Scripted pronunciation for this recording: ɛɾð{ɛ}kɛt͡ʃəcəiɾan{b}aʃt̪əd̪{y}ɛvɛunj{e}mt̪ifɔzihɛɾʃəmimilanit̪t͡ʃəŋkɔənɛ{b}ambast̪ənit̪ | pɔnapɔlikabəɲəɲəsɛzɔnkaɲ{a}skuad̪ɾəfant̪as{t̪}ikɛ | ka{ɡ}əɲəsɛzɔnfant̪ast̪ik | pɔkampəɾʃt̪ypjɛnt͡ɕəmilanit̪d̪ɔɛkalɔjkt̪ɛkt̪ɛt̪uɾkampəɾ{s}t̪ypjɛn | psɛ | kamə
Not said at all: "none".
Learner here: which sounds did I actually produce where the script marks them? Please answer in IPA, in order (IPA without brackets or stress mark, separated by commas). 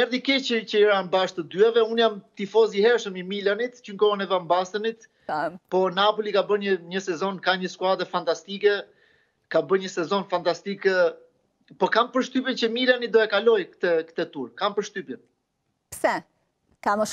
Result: i, b, y, a, v, ə, t̪, b, ʃ